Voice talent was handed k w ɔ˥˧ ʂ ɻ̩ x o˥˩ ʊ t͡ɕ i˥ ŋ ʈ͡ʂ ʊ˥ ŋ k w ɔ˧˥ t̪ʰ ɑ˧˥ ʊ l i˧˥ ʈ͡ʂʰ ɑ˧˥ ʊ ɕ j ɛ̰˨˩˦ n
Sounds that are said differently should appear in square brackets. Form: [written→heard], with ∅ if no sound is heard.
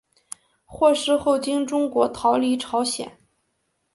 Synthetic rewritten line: [k→x] w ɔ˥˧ ʂ ɻ̩ x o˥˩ ʊ t͡ɕ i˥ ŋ ʈ͡ʂ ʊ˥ ŋ k w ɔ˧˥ t̪ʰ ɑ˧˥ ʊ l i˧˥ ʈ͡ʂʰ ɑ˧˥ ʊ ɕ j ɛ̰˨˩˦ n